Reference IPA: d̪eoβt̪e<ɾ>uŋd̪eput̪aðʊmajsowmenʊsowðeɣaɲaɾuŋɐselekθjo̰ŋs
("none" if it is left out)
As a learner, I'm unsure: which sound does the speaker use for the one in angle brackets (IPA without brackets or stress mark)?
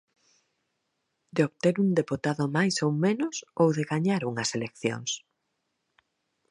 ɾ